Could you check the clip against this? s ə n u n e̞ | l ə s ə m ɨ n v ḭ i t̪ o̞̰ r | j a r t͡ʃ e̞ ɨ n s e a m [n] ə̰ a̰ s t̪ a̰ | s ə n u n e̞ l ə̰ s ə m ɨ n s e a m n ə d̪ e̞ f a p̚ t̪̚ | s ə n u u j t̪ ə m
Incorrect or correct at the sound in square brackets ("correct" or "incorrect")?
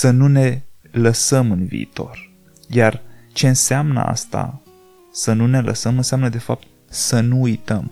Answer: correct